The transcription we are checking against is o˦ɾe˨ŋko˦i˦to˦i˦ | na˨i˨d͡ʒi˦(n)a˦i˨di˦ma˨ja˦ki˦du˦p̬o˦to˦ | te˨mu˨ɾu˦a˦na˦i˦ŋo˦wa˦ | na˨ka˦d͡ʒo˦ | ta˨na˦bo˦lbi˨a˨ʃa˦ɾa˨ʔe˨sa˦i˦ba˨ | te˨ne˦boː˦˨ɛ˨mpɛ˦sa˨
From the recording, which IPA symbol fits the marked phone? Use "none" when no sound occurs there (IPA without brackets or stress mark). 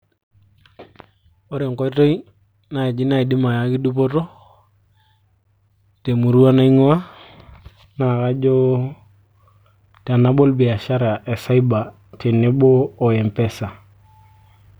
n